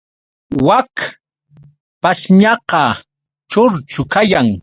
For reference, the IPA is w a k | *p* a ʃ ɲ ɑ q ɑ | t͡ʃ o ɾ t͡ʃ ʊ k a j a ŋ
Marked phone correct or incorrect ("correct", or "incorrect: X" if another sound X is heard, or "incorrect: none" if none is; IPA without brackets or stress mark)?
correct